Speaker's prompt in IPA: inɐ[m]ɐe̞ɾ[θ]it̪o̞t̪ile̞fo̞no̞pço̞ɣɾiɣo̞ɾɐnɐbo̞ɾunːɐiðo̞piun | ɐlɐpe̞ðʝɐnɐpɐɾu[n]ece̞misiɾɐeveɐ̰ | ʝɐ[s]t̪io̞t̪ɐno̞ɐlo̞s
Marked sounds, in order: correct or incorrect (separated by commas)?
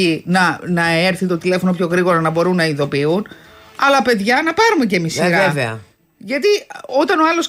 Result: incorrect, correct, incorrect, incorrect